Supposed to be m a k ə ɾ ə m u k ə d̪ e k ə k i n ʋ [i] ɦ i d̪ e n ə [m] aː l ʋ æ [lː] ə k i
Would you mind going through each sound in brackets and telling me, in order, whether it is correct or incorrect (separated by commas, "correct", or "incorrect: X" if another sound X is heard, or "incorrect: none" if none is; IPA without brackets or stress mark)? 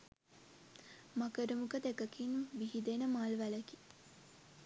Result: correct, correct, incorrect: l